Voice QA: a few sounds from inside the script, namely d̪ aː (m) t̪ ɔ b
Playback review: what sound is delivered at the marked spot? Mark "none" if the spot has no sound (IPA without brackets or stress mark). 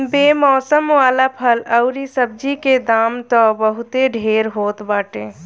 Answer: m